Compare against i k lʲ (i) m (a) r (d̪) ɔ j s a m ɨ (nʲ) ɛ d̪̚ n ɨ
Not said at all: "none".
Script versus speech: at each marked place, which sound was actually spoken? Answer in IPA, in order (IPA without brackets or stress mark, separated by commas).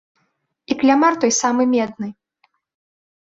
a, a, t̪, mʲ